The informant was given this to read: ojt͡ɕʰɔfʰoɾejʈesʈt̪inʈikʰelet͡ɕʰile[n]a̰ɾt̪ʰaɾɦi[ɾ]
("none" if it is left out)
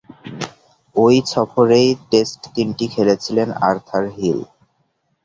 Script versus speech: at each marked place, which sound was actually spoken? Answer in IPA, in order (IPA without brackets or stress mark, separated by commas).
n, l